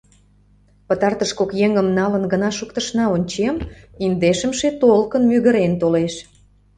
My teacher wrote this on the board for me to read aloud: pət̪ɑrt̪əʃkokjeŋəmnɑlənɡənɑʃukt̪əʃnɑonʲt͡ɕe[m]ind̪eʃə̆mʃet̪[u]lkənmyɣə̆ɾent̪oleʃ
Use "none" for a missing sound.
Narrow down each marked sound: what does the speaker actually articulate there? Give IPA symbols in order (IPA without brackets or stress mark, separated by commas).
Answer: m, o